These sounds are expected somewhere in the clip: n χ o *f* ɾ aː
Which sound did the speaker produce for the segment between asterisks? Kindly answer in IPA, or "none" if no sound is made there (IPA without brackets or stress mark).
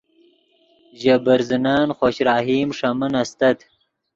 ɕ